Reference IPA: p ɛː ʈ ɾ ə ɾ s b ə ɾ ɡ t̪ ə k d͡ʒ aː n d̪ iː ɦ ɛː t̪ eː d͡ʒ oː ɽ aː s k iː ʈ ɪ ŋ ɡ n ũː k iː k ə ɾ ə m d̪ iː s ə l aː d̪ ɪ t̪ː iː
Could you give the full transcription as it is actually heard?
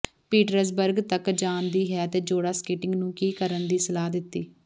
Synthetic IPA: p iː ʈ ɾ ə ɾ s b ə ɾ ɡ t̪ ə k d͡ʒ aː n d̪ iː ɦ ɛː t̪ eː d͡ʒ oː ɽ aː s k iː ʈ ɪ ŋ ɡ n ũː k iː k ə ɾ ə n d̪ iː s ə l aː d̪ ɪ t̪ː iː